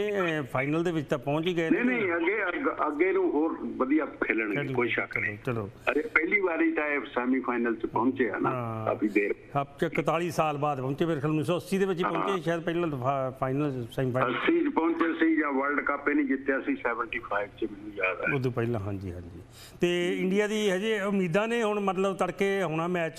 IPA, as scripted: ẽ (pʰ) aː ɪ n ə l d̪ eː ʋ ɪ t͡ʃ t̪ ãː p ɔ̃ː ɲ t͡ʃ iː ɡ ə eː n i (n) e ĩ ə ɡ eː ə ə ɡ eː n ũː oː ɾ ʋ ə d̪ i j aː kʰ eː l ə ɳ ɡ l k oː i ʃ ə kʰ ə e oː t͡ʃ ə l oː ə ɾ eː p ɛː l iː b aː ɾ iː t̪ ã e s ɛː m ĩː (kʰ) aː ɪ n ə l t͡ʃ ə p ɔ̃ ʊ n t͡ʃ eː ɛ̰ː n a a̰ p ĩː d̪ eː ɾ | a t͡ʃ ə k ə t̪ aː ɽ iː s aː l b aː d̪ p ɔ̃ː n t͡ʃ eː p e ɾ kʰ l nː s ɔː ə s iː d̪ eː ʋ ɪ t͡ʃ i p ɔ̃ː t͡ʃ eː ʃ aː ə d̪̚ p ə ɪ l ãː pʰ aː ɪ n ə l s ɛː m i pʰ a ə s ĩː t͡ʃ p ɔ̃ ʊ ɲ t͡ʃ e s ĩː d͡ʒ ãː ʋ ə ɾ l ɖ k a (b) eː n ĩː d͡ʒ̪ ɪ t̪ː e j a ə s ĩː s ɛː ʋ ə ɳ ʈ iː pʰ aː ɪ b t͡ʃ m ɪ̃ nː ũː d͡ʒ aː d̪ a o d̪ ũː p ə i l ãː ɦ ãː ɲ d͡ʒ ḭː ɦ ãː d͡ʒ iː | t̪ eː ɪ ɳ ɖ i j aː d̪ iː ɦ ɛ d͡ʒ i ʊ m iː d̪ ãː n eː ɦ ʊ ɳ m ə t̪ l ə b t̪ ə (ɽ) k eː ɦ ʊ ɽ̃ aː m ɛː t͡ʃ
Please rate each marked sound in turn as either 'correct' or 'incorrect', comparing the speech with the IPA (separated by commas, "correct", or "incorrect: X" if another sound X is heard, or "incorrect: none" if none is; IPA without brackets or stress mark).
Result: correct, correct, incorrect: pʰ, incorrect: p, correct